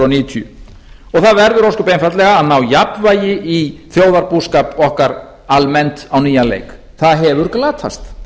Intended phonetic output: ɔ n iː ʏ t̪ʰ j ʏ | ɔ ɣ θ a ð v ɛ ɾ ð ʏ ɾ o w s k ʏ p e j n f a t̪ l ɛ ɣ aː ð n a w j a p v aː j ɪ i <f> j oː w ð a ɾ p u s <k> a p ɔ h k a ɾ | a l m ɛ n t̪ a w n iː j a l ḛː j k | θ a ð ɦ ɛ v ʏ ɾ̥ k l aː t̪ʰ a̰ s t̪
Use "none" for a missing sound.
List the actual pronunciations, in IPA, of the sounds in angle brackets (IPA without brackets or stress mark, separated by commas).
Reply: θ, k